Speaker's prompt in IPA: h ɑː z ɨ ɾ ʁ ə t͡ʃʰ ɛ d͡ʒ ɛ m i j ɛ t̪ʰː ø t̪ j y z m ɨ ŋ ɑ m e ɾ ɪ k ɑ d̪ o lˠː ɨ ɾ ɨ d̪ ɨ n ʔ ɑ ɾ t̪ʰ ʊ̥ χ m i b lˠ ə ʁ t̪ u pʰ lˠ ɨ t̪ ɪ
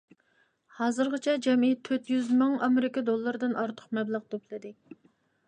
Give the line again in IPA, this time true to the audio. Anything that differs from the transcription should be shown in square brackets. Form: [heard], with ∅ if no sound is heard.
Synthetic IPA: h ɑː z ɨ ɾ ʁ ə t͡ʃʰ ɛ d͡ʒ ɛ m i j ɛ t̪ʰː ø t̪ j y z m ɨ ŋ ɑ m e ɾ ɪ k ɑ d̪ o lˠː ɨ ɾ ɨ d̪ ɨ n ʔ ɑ ɾ t̪ʰ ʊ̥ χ m [ɛ] b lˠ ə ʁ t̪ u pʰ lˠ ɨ [d̪] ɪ